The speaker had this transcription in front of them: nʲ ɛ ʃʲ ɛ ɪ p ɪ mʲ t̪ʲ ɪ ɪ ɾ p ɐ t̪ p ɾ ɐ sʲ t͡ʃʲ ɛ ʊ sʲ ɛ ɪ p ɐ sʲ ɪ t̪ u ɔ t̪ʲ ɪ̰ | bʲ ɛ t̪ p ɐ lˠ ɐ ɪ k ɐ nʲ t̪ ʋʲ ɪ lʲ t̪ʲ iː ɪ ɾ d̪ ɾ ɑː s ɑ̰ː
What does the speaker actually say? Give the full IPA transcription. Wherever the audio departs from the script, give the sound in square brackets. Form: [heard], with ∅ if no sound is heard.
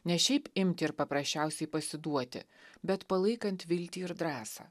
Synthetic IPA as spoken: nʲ ɛ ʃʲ ɛ ɪ p ɪ mʲ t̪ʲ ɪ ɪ ɾ p ɐ [∅] p ɾ ɐ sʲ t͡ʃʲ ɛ ʊ sʲ ɛ ɪ p ɐ sʲ ɪ [d̪] u ɔ t̪ʲ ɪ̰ | bʲ ɛ t̪ p ɐ lˠ ɐ ɪ k ɐ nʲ t̪ ʋʲ ɪ lʲ t̪ʲ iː ɪ ɾ d̪ ɾ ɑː s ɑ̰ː